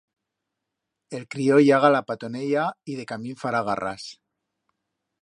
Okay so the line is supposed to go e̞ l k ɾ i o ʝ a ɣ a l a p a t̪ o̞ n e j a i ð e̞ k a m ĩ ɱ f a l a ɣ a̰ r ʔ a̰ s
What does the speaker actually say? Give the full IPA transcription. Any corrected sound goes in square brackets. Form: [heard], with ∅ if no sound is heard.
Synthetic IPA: e̞ l k ɾ i o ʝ a ɣ a l a p a t̪ o̞ n e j a i ð e̞ k a m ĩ ɱ f a [ɾ] a ɣ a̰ r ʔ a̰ s